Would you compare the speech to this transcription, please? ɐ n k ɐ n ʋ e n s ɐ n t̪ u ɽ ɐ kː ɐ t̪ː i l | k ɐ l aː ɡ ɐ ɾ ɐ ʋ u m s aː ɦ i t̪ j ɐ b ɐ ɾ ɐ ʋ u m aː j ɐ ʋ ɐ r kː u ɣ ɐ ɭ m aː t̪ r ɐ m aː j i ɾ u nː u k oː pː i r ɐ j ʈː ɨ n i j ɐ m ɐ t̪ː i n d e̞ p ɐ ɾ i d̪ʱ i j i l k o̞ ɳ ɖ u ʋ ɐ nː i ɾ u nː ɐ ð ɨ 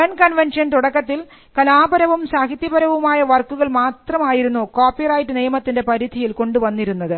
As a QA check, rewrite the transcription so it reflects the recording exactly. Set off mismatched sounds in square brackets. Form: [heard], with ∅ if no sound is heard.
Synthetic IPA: ɐ n k ɐ n ʋ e n [ʂ] ɐ n t̪ u ɽ ɐ kː ɐ t̪ː i l | k ɐ l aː [b] ɐ ɾ ɐ ʋ u m s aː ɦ i t̪ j ɐ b ɐ ɾ ɐ ʋ u m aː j ɐ ʋ ɐ r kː u ɣ ɐ ɭ m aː t̪ r ɐ m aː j i ɾ u nː u k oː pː i r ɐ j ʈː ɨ n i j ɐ m ɐ t̪ː i n d e̞ p ɐ ɾ i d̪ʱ i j i l k o̞ ɳ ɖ u ʋ ɐ nː i ɾ u nː ɐ ð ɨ